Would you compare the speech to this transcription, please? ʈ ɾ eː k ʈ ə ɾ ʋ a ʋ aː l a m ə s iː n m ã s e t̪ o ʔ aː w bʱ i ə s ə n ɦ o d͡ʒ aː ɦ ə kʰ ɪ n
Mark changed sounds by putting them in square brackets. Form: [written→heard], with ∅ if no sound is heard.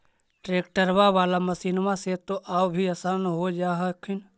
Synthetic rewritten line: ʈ ɾ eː k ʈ ə ɾ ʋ a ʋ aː l a m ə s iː n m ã s e t̪ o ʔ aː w bʱ i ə s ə n ɦ o d͡ʒ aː ɦ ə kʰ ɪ n